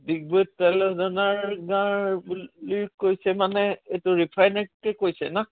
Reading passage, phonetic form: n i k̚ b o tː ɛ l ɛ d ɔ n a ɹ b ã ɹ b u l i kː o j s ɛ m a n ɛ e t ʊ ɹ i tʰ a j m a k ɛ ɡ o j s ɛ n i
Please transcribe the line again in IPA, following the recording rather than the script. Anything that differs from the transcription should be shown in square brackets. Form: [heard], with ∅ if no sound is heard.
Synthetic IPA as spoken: [d] i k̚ b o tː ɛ l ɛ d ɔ n a ɹ [ɡ] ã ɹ b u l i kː o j s ɛ m a n ɛ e t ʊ ɹ i [pʰ] a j [n] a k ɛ [k] o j s ɛ n [a]